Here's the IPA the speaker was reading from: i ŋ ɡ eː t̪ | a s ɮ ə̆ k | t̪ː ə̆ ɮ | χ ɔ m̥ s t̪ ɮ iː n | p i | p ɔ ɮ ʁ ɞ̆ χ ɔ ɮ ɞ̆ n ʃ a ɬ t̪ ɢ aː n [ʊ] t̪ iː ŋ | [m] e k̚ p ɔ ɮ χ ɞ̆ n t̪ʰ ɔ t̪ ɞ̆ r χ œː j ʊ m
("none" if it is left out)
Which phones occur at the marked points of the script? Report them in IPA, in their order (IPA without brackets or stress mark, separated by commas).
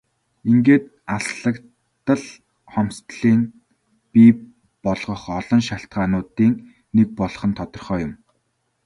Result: ʊː, n